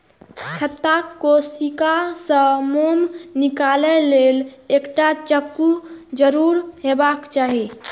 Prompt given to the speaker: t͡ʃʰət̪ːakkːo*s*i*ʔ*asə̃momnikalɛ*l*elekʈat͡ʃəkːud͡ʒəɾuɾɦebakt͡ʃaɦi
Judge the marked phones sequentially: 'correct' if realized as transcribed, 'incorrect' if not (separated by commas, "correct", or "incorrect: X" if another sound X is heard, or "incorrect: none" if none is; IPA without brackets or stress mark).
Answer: correct, incorrect: k, correct